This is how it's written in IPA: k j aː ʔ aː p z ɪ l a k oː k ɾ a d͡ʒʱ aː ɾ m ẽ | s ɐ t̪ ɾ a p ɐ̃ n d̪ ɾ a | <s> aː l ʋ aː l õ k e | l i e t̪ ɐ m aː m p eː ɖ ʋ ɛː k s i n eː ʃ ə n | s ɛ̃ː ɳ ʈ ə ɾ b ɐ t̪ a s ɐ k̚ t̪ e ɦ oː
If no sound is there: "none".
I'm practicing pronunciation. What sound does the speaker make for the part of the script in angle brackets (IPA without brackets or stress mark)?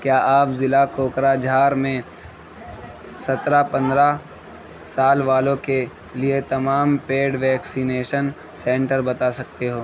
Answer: s